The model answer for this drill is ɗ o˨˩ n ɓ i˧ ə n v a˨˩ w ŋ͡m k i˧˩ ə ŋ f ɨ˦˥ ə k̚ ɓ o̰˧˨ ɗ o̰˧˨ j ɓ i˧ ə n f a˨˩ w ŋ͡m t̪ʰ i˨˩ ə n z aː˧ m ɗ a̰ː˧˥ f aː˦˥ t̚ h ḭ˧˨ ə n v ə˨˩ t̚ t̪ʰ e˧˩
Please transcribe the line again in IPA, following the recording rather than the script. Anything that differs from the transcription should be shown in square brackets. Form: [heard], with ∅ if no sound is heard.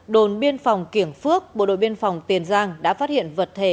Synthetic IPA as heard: ɗ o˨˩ n ɓ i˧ ə n [f] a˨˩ w ŋ͡m k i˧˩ ə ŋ f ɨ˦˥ ə k̚ ɓ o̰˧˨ ɗ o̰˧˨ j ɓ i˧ ə n f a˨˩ w ŋ͡m [t̪] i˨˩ ə n z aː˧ [ŋ] ɗ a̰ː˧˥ f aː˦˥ t̚ h ḭ˧˨ ə n v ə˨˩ t̚ t̪ʰ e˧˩